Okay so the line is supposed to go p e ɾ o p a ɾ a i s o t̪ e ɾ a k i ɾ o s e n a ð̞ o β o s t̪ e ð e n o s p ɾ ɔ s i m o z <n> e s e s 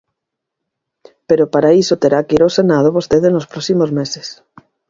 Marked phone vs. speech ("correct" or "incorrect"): incorrect